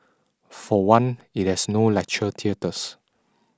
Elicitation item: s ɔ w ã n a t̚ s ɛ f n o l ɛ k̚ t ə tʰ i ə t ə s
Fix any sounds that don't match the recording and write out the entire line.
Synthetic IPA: f ɔ w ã n i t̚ h ɛ s n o l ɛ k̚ t͡ʃ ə tʰ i ə t ə s